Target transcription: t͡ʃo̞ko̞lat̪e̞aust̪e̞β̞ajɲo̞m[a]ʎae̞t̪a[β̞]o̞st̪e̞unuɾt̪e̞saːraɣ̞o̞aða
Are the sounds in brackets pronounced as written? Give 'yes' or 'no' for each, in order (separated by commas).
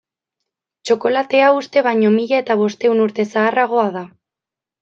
no, yes